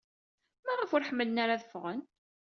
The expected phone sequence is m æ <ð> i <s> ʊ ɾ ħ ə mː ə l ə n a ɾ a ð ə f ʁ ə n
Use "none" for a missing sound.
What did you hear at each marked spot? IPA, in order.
ʁ, f

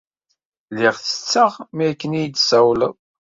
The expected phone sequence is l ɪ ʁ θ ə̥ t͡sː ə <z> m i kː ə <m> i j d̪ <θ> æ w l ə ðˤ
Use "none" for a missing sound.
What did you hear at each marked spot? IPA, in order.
ʁ, n, s

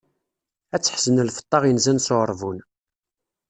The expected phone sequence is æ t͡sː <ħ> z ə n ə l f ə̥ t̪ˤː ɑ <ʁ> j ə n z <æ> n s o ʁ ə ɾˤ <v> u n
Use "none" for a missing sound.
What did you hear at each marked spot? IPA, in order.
ħ, ʁ, æ, v

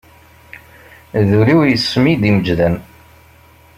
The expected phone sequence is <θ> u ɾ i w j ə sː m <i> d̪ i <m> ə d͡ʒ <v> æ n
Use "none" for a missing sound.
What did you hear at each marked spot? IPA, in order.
ð, i, m, ð

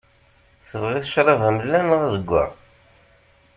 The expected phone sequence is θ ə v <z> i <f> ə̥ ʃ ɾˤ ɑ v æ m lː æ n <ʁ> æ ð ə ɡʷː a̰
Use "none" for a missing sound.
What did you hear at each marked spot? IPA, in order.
ʁ, θ, ʁ

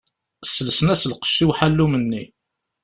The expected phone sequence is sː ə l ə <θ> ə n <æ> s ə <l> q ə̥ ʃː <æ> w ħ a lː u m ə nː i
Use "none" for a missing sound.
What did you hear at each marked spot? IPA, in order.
s, æ, l, i

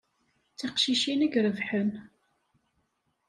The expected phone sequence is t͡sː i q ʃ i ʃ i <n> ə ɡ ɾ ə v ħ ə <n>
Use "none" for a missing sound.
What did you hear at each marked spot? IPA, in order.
n, n

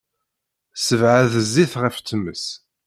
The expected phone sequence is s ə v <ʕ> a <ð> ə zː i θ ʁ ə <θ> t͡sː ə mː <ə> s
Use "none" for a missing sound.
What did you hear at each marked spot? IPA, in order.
ʕ, ð, f, ə

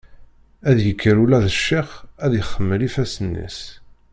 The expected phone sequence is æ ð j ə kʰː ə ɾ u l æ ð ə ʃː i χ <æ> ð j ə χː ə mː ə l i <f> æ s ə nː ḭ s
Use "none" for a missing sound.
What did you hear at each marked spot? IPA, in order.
æ, f

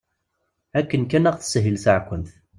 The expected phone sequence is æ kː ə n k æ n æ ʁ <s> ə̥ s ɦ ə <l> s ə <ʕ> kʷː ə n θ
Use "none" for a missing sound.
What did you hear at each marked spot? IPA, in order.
θ, l, ʕ

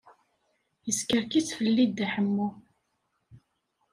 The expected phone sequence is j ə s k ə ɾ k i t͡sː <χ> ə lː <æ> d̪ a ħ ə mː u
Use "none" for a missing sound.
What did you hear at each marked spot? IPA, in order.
f, i

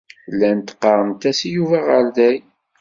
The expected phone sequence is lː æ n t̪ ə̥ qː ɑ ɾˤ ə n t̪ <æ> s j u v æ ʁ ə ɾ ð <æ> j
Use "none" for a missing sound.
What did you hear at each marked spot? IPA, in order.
æ, æ

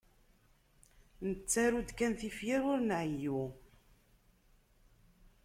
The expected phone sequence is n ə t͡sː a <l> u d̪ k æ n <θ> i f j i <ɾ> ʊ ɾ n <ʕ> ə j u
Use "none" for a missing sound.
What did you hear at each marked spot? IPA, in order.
ɾ, θ, ɾ, ʕ

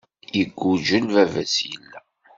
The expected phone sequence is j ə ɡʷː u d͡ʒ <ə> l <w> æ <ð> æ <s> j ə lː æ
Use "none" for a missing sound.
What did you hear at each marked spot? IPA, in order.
ə, v, v, s

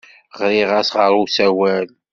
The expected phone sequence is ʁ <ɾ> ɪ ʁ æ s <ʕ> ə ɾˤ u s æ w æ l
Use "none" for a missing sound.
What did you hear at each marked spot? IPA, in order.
ɾ, ʁ

